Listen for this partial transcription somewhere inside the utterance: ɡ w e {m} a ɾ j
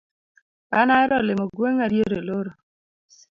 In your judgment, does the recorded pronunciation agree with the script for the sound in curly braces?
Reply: no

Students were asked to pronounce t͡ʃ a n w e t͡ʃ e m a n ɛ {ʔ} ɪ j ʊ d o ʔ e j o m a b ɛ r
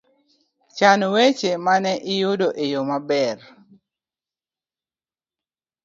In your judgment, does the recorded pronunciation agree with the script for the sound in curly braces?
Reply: yes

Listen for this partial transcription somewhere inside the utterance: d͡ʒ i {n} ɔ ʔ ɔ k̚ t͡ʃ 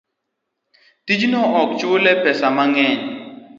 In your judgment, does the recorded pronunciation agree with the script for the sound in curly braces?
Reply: yes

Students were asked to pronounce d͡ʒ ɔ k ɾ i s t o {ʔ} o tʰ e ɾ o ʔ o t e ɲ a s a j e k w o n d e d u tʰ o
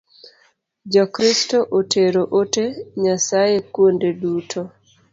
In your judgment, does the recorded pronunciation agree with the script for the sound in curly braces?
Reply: yes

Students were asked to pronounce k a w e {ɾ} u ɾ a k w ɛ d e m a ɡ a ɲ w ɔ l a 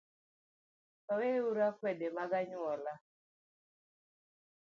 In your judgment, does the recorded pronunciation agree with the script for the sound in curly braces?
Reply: no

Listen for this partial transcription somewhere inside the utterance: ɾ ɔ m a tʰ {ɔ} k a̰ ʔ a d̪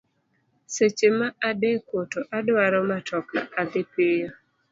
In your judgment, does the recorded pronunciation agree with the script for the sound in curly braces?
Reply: yes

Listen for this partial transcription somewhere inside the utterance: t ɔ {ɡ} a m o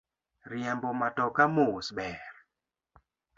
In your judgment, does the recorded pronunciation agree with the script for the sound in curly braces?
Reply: no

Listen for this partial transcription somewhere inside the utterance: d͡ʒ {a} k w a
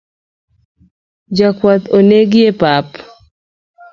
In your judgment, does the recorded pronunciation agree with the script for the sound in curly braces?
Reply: yes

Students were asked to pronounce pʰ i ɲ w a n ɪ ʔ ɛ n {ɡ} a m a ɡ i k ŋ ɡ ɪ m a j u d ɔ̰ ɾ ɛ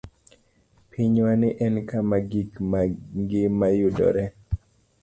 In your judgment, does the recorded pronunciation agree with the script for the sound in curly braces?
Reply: no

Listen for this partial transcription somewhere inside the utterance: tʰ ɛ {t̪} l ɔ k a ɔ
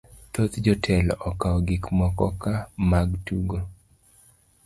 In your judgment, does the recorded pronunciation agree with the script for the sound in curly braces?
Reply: no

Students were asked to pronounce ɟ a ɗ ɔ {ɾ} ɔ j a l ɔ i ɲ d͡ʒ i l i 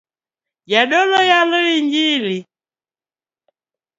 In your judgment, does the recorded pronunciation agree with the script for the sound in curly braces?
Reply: no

